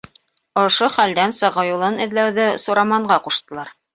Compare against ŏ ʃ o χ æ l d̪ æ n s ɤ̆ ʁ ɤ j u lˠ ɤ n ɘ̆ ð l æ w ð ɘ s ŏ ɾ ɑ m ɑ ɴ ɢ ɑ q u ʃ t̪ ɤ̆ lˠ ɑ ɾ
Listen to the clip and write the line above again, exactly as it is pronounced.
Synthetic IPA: ŏ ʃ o χ æ l d̪ æ n s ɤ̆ ʁ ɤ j u lˠ ɤ n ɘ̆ ð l æ w ð ɘ s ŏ ɾ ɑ m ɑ ɴ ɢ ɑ q u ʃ t̪ ɤ̆ lˠ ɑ ɾ